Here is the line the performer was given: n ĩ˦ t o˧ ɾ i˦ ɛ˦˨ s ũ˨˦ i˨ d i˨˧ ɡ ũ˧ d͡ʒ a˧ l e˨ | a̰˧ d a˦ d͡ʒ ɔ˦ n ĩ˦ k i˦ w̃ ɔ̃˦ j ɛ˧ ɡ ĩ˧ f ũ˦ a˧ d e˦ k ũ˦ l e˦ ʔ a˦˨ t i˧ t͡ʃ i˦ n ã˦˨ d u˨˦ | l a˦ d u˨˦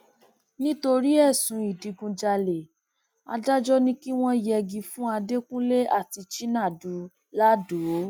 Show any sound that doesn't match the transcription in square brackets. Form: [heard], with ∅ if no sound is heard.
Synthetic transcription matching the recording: n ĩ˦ t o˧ ɾ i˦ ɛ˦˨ s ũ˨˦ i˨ d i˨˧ ɡ ũ˧ d͡ʒ a˧ l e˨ | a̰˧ d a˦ d͡ʒ ɔ˦ n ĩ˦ k i˦ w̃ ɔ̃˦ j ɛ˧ ɡ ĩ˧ f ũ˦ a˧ d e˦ k ũ˦ l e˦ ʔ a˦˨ t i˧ t͡ʃ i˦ n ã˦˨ d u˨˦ | l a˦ d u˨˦